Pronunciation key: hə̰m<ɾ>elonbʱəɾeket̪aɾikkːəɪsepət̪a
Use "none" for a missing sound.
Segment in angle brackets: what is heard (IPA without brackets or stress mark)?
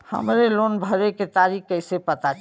ɾ